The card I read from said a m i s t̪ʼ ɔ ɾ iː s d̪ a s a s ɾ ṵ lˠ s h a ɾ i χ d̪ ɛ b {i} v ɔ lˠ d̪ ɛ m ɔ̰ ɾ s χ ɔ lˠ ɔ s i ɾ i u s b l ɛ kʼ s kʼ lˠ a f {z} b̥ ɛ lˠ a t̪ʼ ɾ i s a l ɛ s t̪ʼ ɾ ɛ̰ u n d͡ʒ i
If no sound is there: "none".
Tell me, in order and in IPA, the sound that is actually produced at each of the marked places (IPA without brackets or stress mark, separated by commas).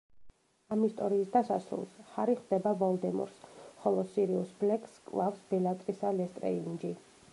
a, s